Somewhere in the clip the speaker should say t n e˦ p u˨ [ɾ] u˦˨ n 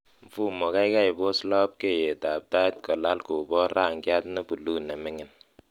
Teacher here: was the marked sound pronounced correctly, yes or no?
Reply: no